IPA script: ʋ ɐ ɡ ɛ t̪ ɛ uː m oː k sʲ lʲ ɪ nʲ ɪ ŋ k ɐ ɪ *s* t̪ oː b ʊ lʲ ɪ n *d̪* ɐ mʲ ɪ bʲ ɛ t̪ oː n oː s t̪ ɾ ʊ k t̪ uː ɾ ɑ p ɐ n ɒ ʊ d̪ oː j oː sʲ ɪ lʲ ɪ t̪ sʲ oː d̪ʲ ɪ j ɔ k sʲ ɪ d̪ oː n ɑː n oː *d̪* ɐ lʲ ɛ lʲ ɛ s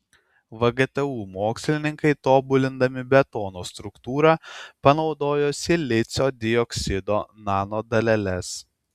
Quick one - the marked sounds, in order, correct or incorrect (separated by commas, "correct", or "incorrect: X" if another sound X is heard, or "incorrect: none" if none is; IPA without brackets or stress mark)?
incorrect: none, correct, correct